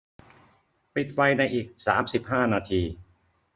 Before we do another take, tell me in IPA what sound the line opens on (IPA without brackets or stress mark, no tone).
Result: p